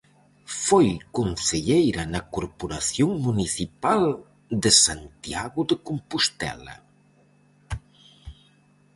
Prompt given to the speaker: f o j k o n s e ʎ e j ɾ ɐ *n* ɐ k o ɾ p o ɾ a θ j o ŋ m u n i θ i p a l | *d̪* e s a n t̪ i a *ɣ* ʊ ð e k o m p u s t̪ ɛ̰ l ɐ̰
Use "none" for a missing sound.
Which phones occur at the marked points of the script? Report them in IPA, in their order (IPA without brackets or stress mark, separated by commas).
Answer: n, d̪, ɣ